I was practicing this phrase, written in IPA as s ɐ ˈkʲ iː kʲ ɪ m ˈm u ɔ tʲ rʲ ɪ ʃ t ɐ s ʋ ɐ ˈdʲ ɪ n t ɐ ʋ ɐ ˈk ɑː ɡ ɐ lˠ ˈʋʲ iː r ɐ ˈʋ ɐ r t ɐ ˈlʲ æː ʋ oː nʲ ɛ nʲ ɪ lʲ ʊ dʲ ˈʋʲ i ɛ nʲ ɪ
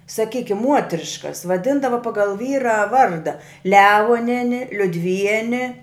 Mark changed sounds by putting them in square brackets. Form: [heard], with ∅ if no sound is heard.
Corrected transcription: s ɐ ˈkʲ iː kʲ ɪ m ˈm u ɔ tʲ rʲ ɪ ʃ [k] ɐ s ʋ ɐ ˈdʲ ɪ n [d] ɐ ʋ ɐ [ˈp] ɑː ɡ ɐ lˠ ˈʋʲ iː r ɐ ˈʋ ɐ r [d] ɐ ˈlʲ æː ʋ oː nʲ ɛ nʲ ɪ lʲ ʊ dʲ ˈʋʲ i ɛ nʲ ɪ